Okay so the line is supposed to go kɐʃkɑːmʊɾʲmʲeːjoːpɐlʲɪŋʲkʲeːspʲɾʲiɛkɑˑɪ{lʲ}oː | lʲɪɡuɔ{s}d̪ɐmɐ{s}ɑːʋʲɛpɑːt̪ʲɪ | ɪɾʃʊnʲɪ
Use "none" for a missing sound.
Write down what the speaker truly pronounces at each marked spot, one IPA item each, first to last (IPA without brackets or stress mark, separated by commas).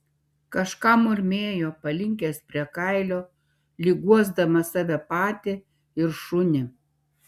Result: lʲ, z, s